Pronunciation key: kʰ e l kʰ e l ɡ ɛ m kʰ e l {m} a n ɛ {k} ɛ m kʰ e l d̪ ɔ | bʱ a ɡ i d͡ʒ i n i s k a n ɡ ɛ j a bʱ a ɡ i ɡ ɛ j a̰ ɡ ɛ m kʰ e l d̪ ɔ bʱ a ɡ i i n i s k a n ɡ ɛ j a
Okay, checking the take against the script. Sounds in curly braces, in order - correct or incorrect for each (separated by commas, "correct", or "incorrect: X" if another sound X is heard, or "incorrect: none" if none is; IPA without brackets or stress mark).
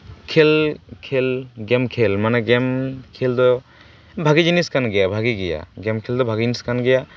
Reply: correct, incorrect: ɡ